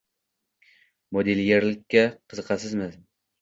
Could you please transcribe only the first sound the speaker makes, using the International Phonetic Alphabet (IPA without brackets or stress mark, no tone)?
m